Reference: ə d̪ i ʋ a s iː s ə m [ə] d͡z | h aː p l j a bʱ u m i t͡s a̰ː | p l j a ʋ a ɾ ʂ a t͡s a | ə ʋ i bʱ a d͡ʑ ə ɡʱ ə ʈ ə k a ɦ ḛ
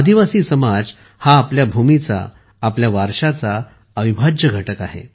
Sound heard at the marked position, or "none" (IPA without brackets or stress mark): a